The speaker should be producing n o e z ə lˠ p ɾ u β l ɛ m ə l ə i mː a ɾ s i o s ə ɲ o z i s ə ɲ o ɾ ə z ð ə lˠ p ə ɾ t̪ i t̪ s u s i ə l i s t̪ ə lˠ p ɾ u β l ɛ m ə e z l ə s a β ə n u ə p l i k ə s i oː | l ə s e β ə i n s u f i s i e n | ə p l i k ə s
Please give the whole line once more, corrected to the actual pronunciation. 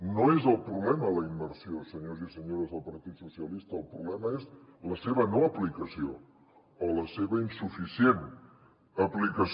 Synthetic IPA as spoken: n o e z ə lˠ p ɾ u β l ɛ m ə l ə i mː ə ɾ s i o s ə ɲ o z i s ə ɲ o ɾ ə z ð ə lˠ p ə ɾ t̪ i t̪ s u s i ə l i s t̪ əː lˠ p ɾ u β l ɛ m ə e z l ə s e β ə n o ə p l i k ə s i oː | l ə s e β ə i n s u f i s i e n | ə p l i k ə s

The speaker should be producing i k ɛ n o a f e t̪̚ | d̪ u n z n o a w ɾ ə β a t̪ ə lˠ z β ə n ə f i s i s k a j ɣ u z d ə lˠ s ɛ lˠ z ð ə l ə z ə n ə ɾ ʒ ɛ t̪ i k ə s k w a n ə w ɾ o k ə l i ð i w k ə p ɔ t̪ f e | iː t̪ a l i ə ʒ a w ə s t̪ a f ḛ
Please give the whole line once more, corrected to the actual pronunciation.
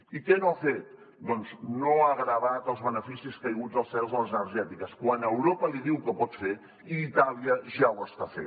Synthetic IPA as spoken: i k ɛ n o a f e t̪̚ | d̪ ɔ n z n o a ɣ ɾ ə β a t̪ ə lˠ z β ə n ə f i s i s k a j ɣ u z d ə lˠ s ɛ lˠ z ð ə l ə z ə n ə ɾ ʒ ɛ t̪ i k ə s k w a n ə w ɾ o p ə l i ð i w k ə p ɔ t̪ f e | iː t̪ a l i ə ʒ a w ə s t̪ a f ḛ

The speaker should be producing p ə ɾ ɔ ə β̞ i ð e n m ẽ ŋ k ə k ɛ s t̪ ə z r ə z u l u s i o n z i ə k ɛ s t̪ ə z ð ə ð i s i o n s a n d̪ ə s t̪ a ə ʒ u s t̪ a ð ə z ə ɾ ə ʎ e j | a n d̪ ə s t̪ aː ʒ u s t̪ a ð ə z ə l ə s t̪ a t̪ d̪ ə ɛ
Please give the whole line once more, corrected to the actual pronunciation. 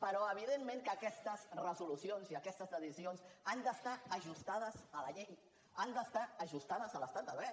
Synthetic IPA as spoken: p ə ɾ ɔ ə β̞ i ð e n m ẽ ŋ k ə k ɛ s t̪ ə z r ə z u l u s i o n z i ə k ɛ s t̪ ə z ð ə ð i s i o n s a n d̪ ə s t̪ a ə ʒ u s t̪ a ð ə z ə l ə ʎ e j | a n d̪ ə s t̪ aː ʒ u s t̪ a ð ə z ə l ə s t̪ a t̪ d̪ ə ɛ

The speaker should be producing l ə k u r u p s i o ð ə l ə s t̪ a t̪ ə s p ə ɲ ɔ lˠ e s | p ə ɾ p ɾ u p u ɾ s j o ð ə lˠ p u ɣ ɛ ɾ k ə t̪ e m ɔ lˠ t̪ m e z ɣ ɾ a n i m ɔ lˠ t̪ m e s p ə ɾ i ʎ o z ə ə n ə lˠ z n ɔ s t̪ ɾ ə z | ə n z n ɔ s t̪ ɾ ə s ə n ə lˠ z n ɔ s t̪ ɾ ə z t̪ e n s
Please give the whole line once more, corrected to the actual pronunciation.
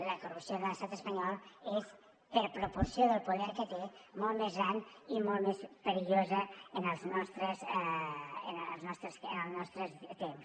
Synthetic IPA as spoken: l ə k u r u p s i o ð ə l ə s t̪ a t̪ ə s p ə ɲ ɔ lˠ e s | p ə ɾ p ɾ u p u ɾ s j o ð ə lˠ p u ð ɛ ɾ k ə t̪ e m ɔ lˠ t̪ m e z ɣ ɾ a n i m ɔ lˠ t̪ m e s p ə ɾ i ʎ o z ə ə n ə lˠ z n ɔ s t̪ ɾ ə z | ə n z n ɔ s t̪ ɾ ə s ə n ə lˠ z n ɔ s t̪ ɾ ə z t̪ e m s

